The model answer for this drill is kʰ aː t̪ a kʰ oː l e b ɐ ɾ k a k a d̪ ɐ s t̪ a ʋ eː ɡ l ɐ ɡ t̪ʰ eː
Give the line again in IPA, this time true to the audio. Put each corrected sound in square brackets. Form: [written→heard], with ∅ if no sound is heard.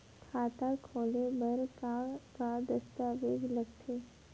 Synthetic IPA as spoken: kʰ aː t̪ a kʰ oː l e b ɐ ɾ k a k a d̪ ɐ s t̪ a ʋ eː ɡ l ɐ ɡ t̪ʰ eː